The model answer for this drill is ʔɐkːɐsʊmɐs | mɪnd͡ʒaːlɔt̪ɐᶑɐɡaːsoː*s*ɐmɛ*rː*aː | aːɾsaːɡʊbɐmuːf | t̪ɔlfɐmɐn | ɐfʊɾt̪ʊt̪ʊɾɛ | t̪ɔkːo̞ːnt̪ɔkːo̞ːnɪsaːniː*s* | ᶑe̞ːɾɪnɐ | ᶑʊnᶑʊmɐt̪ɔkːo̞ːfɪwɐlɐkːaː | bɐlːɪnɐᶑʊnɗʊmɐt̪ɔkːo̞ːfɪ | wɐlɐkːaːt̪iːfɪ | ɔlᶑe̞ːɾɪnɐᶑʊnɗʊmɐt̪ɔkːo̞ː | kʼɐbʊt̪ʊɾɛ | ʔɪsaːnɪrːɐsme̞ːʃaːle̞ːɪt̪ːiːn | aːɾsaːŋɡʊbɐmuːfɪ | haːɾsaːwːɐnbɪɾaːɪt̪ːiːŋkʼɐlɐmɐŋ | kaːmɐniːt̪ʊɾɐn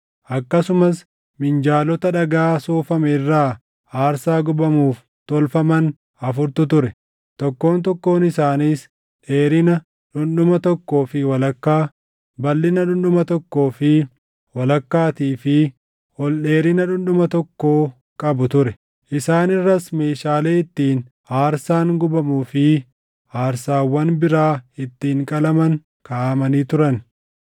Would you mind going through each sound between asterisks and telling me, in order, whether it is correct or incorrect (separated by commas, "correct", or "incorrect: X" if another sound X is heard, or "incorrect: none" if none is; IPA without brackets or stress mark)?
incorrect: f, correct, correct